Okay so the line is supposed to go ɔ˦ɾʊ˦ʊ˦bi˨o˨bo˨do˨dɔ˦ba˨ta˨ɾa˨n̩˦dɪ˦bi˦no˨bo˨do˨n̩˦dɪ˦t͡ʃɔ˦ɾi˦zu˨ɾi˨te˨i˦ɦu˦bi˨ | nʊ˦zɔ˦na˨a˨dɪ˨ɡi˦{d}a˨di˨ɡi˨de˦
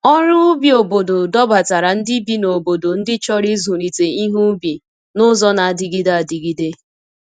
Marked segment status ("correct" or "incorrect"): correct